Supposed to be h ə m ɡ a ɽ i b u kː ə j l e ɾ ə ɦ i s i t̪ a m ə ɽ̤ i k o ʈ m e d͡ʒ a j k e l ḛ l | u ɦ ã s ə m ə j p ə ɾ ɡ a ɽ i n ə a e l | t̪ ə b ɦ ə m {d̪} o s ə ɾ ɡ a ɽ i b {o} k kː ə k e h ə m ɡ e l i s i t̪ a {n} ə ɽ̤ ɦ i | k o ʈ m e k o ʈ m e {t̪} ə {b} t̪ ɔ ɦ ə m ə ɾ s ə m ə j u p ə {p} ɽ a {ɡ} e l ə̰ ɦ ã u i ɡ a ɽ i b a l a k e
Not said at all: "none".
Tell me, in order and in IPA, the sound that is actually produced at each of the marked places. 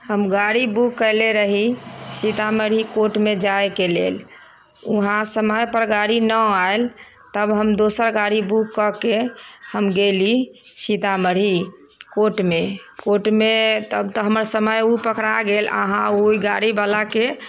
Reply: d̪, u, m, t̪, b, k, ɡ

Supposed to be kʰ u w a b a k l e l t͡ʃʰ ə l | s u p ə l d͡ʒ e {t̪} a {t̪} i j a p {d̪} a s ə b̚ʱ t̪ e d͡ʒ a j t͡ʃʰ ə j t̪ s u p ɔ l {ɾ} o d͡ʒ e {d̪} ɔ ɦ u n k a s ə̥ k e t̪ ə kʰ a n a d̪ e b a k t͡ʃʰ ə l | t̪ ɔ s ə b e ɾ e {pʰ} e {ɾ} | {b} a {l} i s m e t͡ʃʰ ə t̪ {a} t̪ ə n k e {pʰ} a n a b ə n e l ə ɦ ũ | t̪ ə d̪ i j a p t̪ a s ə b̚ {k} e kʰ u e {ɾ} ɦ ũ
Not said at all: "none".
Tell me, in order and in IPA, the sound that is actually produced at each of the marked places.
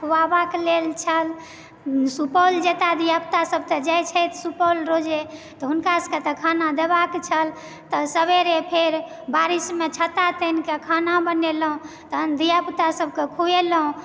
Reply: t̪, d̪, t̪, ɾ, t̪, pʰ, ɾ, b, ɾ, a, kʰ, k, l

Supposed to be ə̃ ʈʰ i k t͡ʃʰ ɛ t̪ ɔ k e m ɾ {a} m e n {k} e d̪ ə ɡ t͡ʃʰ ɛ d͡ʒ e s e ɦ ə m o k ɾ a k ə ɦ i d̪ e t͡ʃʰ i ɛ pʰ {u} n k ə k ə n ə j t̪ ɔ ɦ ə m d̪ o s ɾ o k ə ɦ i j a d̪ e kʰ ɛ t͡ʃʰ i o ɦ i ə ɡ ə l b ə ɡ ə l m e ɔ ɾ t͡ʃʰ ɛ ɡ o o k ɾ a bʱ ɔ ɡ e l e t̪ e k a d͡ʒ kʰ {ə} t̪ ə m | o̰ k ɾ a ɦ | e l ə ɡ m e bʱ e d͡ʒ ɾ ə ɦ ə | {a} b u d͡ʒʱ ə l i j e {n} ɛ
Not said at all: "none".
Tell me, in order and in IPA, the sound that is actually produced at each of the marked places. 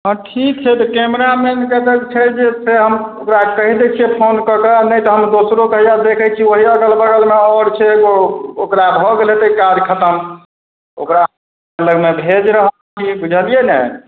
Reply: a, k, o, ə, i, n

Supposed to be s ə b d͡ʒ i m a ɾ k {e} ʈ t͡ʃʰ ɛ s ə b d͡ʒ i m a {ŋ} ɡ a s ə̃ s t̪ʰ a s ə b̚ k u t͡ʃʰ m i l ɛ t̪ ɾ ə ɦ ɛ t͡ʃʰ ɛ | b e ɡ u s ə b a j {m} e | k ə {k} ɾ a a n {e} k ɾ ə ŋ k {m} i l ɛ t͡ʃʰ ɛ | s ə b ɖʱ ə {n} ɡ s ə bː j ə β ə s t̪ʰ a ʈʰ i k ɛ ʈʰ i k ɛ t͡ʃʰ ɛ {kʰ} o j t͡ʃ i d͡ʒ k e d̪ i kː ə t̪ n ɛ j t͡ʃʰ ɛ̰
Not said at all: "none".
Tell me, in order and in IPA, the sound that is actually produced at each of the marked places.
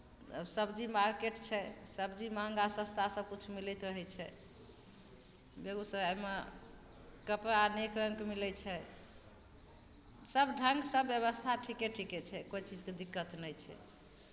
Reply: e, ŋ, m, p, e, m, ŋ, k

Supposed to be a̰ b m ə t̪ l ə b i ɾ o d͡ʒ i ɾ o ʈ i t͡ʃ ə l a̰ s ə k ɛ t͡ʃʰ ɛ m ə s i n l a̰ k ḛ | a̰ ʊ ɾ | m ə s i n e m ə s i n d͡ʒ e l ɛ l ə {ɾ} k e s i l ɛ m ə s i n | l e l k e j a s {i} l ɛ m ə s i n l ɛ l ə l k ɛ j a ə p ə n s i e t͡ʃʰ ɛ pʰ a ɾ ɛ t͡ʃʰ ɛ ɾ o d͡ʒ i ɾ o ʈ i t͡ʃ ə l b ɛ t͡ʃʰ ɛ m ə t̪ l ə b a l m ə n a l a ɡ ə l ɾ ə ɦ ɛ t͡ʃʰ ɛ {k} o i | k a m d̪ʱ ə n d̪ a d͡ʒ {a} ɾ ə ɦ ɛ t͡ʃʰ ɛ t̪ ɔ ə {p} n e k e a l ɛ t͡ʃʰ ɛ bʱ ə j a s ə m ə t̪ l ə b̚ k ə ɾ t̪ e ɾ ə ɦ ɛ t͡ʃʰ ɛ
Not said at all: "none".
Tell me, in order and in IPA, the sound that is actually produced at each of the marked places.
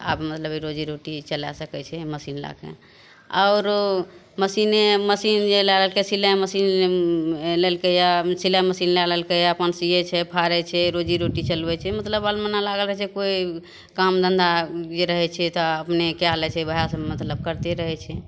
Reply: l, i, k, e, p

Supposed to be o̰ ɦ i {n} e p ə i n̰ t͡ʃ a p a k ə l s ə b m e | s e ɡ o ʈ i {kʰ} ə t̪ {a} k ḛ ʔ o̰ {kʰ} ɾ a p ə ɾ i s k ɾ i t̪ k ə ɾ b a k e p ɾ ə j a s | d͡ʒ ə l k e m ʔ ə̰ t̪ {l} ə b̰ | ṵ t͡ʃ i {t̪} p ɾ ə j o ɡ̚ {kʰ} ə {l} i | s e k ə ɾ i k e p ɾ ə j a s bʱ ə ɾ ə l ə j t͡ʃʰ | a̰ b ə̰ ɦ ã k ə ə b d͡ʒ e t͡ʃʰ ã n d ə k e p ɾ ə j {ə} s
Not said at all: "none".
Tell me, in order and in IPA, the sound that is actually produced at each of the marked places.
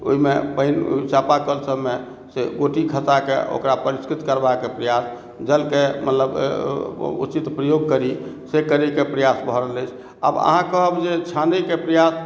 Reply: m, kʰ, a, k, l, t̪, k, ɾ, a

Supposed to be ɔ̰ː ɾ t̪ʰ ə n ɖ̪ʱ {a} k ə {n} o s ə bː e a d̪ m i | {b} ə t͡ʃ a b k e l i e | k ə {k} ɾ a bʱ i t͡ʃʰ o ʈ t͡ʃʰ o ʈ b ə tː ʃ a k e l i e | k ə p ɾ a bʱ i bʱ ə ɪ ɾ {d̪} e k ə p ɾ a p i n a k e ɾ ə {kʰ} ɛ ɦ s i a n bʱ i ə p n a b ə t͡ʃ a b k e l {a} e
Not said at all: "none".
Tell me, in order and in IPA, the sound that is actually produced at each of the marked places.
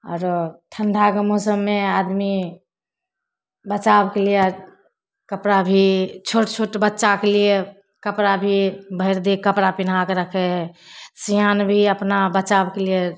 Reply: a, m, b, p, d̪, kʰ, i

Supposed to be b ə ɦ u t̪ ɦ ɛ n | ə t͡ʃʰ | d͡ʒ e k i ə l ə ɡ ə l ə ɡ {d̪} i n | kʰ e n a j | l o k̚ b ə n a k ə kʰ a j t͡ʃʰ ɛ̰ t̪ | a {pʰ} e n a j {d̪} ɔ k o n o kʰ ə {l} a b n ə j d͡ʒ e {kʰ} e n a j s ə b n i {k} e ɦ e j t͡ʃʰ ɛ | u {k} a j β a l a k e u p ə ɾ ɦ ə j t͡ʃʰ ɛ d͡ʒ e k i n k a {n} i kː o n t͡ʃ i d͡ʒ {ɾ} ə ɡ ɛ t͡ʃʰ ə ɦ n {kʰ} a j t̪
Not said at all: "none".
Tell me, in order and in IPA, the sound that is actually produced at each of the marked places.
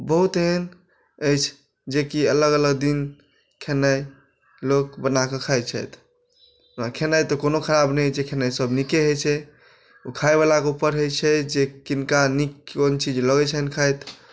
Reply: d̪, kʰ, t̪, ɾ, kʰ, k, kʰ, n, l, kʰ

